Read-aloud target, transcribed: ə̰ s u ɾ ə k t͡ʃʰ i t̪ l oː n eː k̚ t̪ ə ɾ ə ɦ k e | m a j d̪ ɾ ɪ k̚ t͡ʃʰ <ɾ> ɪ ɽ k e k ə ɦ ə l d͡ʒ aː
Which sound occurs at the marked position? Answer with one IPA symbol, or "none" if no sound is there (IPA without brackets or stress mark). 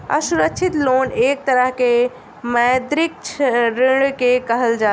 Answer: ɾ